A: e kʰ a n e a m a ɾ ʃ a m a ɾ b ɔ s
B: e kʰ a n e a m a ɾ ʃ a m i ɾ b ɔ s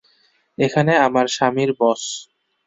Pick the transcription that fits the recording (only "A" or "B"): B